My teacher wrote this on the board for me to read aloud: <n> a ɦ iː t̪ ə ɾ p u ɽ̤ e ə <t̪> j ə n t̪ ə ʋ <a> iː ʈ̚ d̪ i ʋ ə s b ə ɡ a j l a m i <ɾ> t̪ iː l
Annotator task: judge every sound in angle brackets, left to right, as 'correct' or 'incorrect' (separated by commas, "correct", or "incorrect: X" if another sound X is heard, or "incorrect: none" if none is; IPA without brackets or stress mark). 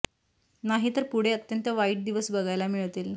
correct, correct, correct, incorrect: ɭ